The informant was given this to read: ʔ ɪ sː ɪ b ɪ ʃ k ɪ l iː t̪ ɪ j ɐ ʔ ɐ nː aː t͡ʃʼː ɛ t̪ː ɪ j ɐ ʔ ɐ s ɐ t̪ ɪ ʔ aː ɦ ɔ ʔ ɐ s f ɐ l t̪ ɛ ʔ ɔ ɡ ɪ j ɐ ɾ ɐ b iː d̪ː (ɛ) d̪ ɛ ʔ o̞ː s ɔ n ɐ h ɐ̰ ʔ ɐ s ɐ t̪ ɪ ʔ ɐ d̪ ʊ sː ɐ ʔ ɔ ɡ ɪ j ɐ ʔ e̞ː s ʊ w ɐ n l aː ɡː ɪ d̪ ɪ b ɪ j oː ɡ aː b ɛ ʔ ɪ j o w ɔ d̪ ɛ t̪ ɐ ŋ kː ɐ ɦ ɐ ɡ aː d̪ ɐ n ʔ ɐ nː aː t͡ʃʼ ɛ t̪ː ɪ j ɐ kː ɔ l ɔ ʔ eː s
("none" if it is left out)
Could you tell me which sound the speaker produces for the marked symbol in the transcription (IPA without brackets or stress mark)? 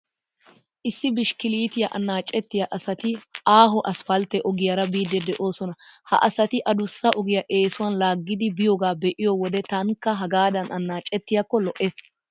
ɛ